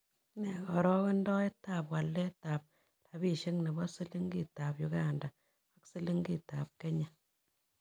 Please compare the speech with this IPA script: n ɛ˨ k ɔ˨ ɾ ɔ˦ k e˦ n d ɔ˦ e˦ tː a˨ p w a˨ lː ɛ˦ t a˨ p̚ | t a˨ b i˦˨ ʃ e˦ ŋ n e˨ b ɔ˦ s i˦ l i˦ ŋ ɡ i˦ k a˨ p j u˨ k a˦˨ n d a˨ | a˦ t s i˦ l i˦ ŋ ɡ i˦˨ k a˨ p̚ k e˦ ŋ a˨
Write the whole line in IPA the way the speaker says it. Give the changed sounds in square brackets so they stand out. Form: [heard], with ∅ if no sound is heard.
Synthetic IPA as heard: n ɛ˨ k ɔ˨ ɾ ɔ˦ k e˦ n d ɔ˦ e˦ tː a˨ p w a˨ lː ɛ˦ t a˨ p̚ | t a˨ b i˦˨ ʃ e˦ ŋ n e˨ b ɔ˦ s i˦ l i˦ ŋ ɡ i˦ [t] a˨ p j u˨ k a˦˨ n d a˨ | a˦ [k] s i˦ l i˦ ŋ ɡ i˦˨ [t] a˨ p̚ k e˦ [ɲ] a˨

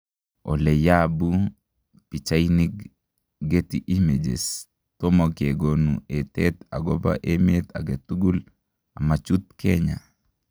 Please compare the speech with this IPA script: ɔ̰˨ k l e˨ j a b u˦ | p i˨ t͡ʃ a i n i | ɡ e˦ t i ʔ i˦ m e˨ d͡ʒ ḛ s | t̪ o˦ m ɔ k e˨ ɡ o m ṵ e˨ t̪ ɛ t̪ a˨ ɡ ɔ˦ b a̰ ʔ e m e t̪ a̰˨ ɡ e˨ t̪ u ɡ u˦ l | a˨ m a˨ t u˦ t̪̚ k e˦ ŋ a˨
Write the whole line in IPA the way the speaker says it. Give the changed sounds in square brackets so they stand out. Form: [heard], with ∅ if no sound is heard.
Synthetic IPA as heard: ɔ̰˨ [∅] l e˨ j a b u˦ | p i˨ t͡ʃ a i n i | ɡ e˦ t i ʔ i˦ m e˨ d͡ʒ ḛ s | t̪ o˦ m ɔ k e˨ ɡ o [n] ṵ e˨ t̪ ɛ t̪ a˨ ɡ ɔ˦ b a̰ ʔ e m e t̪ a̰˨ ɡ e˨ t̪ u ɡ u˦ l | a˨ m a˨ [t͡ʃ] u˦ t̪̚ k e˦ [ɲ] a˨

